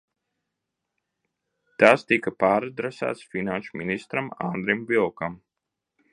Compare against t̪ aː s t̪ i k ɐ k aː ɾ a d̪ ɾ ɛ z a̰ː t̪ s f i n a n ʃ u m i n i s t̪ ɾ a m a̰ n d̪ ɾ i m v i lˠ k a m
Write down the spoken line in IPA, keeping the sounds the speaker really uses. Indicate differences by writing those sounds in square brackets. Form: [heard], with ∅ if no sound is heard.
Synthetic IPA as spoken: t̪ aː s t̪ i k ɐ [p] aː ɾ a d̪ ɾ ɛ [s] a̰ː t̪ s f i n a n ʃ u m i n i s t̪ ɾ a m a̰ n d̪ ɾ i m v i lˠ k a m